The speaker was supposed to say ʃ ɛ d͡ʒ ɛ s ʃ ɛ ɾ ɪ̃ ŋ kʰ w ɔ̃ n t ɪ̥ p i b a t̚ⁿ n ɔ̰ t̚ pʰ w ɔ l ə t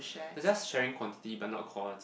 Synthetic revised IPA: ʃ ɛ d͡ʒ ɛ s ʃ ɛ ɹ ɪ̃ ŋ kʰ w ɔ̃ n t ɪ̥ t i b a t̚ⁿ n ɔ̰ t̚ kʰ w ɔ l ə t

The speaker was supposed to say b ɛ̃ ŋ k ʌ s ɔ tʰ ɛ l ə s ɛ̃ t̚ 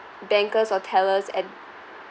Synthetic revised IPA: b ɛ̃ ŋ k ə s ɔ tʰ ɛ l ə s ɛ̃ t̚

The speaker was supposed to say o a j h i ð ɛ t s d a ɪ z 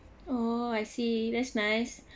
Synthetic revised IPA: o a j s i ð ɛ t s n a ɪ s

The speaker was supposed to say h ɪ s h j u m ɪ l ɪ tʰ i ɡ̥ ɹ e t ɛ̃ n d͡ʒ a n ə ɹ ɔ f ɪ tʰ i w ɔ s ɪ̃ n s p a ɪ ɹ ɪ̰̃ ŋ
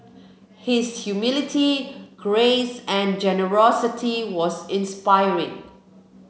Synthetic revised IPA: h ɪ s h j u m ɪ l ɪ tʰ i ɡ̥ ɹ e s ɛ̃ n d͡ʒ ɛ n ə ɹ ɔ s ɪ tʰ i w ɔ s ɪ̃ n s p a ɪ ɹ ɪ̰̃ ŋ

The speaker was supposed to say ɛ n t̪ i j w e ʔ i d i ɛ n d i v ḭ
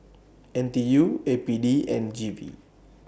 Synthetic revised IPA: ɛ n t̪ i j u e p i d i ɛ n d͡ʒ i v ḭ

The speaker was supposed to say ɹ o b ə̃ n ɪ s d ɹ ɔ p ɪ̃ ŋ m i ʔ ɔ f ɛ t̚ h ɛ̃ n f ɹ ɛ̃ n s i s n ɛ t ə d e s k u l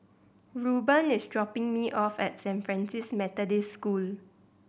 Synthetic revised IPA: ɹ u b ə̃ n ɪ s d ɹ ɔ p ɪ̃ ŋ m i ʔ ɔ f ɛ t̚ s ɛ̃ n f ɹ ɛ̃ n s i s m ɛ t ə d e s k u l

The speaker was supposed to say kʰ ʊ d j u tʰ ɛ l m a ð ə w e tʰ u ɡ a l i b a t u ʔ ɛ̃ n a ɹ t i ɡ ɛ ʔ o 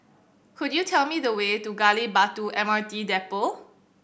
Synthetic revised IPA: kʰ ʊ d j u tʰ ɛ l m i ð ə w e t u ɡ a l i b a t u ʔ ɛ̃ m a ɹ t i d ɛ p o

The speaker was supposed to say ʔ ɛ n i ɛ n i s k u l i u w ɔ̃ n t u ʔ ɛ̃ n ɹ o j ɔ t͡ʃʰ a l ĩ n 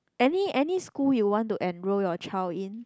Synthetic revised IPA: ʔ ɛ n i ɛ n i s k u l j u w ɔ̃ n t u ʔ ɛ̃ n ɹ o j ɔ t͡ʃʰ a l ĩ n

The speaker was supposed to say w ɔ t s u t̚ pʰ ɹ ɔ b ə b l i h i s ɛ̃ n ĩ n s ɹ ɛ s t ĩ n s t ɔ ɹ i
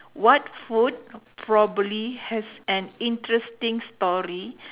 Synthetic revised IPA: w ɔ t f u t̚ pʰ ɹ ɔ b ə b l i h ɛ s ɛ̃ n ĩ n t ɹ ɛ s t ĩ ŋ s t ɔ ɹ i

